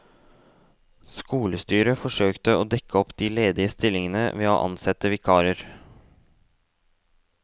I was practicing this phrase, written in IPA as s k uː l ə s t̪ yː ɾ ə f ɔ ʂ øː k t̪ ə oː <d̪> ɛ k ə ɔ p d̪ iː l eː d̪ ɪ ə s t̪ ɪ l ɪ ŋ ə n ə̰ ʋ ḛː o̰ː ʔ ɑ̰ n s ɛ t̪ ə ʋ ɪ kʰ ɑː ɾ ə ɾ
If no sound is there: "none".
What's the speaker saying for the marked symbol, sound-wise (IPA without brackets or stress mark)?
d̪